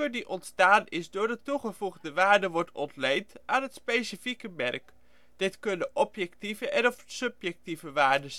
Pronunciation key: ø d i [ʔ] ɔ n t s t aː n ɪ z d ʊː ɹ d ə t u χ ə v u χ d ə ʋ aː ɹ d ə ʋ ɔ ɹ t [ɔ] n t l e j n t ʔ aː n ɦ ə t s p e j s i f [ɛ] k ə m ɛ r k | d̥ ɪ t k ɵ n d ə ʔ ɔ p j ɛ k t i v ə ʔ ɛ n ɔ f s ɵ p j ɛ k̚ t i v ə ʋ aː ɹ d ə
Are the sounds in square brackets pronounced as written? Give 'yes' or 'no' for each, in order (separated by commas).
yes, yes, no